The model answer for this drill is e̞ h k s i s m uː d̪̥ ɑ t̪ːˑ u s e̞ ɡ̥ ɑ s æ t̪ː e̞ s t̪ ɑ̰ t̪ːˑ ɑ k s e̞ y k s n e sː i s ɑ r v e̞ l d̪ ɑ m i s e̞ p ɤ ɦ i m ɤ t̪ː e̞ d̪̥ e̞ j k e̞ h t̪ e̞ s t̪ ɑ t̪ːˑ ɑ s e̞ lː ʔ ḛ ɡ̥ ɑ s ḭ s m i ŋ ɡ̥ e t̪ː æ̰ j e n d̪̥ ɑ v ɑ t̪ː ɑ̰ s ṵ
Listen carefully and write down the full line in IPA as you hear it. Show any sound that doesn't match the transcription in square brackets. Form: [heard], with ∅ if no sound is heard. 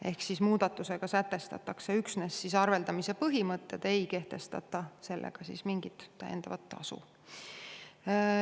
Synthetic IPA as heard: e̞ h k s i s m uː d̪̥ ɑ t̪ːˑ u s e̞ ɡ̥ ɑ s æ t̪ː e̞ s t̪ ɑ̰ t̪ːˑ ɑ k s e̞ y k s n e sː i s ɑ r v e̞ l d̪ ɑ m i s e̞ p ɤ ɦ i m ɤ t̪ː e̞ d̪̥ e̞ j k e̞ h t̪ e̞ s t̪ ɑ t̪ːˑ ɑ s e̞ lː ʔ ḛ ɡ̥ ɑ s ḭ s m i ŋ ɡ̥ [i] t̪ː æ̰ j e n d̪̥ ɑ v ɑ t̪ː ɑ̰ s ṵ